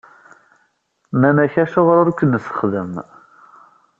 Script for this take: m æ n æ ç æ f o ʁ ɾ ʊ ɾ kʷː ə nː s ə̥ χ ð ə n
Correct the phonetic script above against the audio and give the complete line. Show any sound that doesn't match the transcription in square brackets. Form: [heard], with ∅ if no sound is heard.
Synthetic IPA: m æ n æ ç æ [ʃ] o ʁ ɾ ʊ ɾ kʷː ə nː s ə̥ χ ð ə [m]